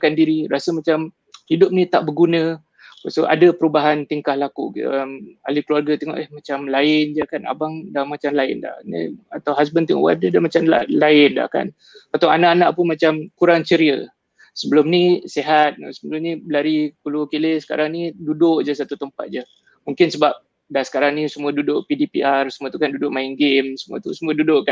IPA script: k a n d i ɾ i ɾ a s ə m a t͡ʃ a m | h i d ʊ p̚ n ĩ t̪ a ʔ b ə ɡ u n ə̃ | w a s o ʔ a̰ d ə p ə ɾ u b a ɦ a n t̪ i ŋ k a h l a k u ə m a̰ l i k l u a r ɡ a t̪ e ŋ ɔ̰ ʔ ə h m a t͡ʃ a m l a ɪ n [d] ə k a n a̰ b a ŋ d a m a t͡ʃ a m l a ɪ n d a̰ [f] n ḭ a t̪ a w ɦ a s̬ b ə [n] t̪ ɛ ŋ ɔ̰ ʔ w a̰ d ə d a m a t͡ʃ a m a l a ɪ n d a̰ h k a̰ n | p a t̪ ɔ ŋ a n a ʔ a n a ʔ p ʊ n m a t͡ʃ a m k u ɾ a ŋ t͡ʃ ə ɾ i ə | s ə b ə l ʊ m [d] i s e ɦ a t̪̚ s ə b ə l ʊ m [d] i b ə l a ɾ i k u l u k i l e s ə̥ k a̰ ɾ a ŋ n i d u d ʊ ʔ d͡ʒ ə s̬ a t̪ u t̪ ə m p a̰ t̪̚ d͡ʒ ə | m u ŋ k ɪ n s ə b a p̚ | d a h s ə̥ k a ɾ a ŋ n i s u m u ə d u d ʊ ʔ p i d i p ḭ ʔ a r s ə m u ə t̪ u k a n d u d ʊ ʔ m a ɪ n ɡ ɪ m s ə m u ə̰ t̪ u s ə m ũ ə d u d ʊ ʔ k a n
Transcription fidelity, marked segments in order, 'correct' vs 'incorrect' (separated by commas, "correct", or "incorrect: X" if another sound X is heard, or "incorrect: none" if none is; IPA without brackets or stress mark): incorrect: d͡ʒ, incorrect: h, correct, incorrect: n, incorrect: n